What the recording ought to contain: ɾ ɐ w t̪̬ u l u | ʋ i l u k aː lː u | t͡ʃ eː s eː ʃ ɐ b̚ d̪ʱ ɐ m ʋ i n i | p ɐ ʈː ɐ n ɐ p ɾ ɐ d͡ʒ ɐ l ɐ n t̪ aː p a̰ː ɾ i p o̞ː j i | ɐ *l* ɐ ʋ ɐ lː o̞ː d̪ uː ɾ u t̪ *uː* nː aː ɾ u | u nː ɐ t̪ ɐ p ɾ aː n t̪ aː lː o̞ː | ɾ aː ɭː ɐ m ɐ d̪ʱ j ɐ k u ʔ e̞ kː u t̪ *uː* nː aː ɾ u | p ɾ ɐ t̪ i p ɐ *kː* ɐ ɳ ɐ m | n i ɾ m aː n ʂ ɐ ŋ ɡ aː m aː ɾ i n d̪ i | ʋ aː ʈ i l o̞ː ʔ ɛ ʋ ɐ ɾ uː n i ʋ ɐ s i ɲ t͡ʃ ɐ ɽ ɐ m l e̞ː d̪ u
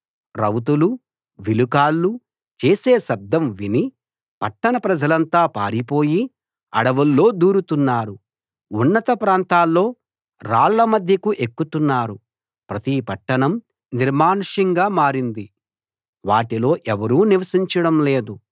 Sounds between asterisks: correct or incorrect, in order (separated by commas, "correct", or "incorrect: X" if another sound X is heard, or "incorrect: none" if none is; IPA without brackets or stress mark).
incorrect: ɽ, incorrect: u, incorrect: u, incorrect: ʈː